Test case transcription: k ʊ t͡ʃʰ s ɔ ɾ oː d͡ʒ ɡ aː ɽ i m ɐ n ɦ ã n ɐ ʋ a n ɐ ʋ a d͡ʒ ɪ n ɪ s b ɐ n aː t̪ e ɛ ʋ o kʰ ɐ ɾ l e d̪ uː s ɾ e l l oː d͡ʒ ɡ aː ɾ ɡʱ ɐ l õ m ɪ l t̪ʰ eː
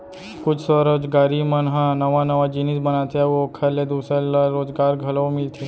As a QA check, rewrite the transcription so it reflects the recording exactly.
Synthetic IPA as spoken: k ʊ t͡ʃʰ s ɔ ɾ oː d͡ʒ ɡ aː ɾ i m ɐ n ɦ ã n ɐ ʋ a n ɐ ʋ a d͡ʒ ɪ n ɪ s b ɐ n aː t̪ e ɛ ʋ o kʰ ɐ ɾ l e d̪ uː s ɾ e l ɾ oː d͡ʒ ɡ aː ɾ ɡʱ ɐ l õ m ɪ l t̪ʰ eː